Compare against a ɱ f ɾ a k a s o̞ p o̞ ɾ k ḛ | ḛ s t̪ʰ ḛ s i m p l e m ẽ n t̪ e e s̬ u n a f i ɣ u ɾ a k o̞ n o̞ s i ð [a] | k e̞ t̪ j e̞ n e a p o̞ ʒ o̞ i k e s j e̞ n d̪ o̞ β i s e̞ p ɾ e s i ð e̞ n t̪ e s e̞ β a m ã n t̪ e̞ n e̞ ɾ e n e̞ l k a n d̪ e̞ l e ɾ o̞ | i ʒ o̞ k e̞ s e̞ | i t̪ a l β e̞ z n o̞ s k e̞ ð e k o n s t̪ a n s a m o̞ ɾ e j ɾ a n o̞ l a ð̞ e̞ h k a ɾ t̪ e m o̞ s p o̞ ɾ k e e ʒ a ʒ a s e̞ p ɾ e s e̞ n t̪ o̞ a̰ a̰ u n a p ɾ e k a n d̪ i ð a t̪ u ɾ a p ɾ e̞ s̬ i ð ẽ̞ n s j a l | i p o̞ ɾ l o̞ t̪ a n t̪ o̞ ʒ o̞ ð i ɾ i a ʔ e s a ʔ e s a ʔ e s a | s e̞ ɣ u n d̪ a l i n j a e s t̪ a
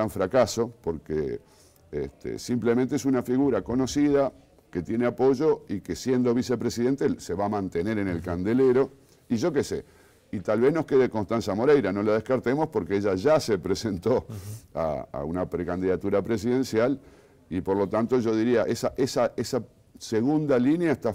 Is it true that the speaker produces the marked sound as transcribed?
yes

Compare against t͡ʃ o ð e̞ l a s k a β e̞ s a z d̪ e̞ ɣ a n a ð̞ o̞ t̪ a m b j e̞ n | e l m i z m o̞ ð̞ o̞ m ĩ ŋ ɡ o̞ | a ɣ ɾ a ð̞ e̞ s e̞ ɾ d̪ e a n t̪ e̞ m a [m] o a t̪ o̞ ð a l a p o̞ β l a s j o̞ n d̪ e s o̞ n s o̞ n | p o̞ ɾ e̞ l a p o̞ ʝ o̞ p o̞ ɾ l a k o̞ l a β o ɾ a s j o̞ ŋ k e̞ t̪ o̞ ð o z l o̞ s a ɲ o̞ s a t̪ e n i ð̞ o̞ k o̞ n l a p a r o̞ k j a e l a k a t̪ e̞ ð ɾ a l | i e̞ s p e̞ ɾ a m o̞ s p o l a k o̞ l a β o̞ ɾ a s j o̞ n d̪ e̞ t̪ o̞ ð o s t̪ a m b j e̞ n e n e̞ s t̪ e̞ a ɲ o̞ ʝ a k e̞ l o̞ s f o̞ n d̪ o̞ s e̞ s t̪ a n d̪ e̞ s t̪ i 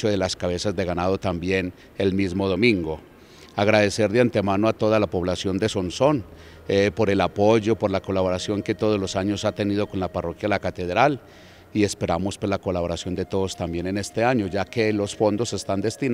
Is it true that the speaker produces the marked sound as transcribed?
no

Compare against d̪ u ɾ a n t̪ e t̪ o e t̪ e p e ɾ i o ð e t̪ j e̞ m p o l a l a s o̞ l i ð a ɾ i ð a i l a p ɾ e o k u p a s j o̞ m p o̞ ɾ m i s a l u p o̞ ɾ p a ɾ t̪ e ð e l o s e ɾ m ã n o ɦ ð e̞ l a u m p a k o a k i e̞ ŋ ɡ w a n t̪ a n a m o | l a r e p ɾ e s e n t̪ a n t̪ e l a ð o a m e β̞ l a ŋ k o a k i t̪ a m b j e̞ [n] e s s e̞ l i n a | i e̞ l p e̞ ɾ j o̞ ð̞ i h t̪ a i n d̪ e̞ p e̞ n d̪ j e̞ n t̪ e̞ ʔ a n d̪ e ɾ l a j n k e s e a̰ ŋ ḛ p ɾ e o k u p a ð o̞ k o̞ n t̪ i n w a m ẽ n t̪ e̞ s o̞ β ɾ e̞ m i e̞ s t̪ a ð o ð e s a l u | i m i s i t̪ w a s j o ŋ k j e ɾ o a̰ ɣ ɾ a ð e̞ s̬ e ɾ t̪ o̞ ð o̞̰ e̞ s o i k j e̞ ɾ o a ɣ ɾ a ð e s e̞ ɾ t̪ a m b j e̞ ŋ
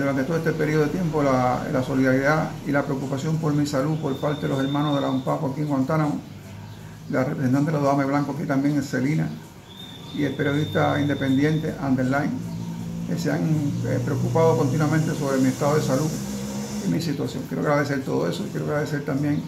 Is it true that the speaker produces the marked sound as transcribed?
no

